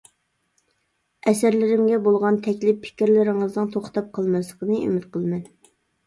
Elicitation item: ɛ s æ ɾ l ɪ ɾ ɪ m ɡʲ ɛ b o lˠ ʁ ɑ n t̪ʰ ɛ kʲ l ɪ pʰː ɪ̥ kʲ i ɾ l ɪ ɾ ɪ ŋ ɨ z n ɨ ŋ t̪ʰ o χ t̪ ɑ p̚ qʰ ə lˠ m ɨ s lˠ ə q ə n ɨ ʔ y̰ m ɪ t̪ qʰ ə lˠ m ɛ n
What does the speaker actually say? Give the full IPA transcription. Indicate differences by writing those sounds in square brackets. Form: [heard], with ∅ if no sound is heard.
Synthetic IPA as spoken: ɛ s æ ɾ l ɪ ɾ ɪ m ɡʲ ɛ b o lˠ ʁ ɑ n t̪ʰ ɛ kʲ l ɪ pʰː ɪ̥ kʲ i ɾ l ɪ ɾ ɪ ŋ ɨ z n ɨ ŋ t̪ʰ o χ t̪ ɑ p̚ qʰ ə lˠ m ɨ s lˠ ə q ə n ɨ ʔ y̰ m ɪ t̪ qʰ ə lˠ m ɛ n